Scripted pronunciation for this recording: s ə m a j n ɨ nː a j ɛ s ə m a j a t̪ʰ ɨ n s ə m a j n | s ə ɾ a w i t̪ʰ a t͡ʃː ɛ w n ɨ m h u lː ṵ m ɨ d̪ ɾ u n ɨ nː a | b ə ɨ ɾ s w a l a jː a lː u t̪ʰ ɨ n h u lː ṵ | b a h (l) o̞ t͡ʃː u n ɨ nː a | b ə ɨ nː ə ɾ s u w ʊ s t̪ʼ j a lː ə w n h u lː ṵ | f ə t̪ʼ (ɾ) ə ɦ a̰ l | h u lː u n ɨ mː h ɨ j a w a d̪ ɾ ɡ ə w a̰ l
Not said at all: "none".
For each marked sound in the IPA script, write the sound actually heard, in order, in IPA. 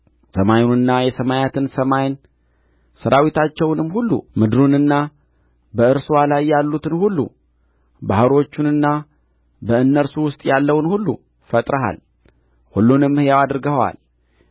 ɾ, ɾ

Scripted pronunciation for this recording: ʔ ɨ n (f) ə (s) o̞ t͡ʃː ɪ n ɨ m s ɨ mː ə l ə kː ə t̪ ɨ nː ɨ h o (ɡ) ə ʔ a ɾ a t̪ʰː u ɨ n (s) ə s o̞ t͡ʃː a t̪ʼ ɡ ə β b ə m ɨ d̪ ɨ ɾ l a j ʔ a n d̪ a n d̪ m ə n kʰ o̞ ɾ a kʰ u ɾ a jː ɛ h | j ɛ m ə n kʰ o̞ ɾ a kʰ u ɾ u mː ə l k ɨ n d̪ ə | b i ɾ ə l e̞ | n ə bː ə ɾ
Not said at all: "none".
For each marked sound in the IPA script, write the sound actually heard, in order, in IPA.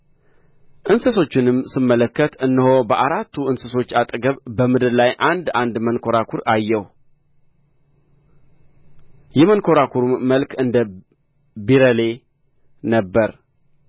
s, s, b, s

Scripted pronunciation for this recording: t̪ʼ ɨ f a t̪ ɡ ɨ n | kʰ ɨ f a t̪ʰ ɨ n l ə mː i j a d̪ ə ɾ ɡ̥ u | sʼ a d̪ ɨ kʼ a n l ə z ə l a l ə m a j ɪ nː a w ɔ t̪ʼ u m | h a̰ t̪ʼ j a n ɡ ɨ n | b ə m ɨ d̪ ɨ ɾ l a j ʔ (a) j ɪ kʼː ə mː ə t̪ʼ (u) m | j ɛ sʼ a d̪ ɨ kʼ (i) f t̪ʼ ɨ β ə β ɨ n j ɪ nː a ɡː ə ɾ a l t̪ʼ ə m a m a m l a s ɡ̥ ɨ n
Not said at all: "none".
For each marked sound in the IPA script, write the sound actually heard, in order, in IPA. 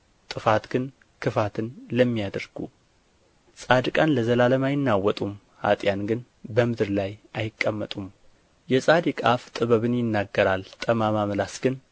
a, u, a

